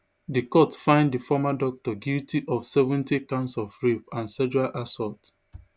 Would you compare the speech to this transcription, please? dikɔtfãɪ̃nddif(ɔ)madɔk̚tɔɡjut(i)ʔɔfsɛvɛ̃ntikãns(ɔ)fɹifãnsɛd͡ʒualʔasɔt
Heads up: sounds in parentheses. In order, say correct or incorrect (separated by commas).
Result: correct, correct, correct